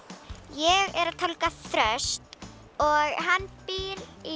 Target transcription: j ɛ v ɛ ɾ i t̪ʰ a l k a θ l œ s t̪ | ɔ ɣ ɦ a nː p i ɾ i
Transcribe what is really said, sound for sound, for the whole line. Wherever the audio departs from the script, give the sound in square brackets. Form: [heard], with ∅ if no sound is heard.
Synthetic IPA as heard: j ɛ [ɣ] ɛ ɾ [a] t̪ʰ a l k a θ [ɾ] œ s t̪ | ɔ ɣ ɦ a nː p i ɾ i